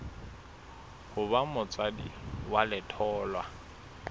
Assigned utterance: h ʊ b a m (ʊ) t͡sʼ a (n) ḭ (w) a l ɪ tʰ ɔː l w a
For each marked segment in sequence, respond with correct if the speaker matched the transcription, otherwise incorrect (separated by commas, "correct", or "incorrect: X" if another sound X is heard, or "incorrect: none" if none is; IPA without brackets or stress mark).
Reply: correct, incorrect: d, correct